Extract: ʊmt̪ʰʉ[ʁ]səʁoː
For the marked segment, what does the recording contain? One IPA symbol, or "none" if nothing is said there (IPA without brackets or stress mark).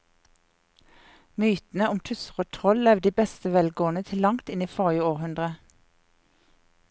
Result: none